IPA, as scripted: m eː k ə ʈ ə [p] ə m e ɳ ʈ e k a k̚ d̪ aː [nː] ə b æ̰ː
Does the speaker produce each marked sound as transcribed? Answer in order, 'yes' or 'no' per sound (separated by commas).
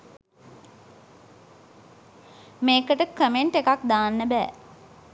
no, yes